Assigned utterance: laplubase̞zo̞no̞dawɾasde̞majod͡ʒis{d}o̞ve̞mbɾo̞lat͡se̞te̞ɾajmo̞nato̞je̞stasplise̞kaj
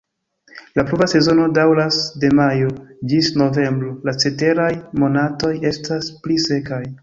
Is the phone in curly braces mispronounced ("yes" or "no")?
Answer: yes